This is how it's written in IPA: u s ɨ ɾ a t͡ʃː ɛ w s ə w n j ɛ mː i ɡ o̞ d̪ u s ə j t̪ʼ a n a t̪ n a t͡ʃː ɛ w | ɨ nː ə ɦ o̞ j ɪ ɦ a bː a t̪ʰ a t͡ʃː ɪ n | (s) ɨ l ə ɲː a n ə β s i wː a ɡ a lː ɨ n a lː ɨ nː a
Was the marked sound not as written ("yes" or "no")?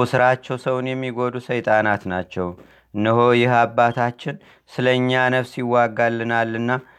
no